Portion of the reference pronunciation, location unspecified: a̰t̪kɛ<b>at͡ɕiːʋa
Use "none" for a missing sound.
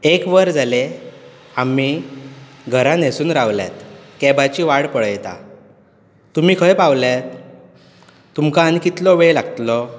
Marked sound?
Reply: b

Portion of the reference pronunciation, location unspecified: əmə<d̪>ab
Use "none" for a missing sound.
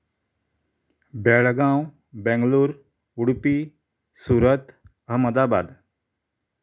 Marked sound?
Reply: d̪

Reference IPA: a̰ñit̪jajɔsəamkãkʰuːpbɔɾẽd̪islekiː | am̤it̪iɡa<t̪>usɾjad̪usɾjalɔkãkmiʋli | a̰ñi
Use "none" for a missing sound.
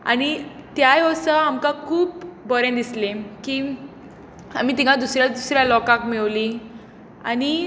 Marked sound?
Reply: d̪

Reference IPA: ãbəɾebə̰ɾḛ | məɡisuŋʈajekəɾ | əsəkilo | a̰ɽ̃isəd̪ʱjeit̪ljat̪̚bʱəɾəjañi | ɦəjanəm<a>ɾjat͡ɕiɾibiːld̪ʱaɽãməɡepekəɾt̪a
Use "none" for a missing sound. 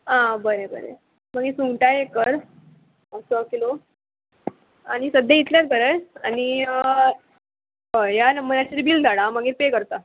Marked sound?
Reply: ə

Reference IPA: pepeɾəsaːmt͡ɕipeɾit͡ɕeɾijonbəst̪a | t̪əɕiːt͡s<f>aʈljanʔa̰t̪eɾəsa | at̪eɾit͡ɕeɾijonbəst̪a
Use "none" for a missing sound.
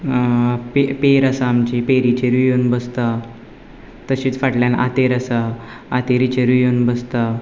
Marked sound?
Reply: f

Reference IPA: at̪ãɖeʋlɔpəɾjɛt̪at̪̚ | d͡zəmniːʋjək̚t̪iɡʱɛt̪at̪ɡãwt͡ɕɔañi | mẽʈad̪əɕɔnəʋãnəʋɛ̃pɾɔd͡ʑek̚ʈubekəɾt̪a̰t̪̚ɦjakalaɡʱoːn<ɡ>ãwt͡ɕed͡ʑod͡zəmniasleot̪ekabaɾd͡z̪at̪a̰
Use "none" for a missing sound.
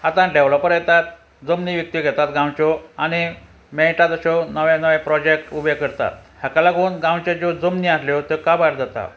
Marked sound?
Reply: ɡ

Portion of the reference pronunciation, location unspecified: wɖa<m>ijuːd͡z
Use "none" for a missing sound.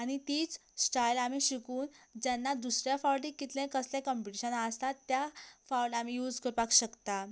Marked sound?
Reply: m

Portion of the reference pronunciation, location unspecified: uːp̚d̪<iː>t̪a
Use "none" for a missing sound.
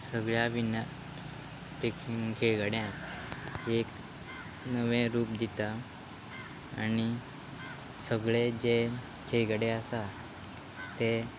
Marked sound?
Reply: i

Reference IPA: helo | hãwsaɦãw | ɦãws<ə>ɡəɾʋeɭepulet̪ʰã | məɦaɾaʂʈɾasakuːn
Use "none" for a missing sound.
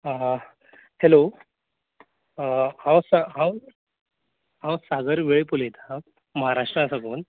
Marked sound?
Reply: a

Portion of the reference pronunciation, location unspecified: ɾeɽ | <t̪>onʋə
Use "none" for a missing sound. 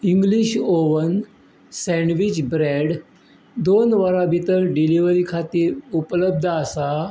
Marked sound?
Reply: d̪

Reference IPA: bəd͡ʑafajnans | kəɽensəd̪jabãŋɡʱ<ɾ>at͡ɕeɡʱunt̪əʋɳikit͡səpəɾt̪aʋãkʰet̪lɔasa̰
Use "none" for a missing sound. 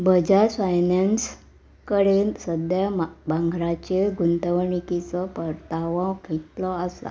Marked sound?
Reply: ɾ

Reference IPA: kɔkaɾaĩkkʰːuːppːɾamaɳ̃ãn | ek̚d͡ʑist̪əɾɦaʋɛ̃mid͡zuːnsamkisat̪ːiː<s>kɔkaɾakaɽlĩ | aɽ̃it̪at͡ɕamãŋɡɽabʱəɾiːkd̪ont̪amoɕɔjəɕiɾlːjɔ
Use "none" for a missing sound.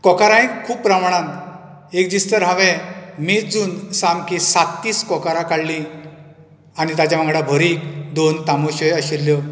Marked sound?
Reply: s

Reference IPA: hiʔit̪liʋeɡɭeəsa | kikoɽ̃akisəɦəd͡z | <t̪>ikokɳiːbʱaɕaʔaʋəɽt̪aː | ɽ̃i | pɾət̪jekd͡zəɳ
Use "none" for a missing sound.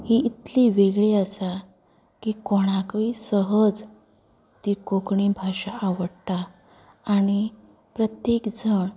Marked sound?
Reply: t̪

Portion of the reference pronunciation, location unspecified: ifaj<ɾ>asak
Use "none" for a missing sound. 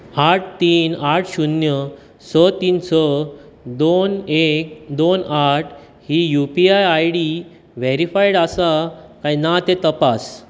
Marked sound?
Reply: ɽ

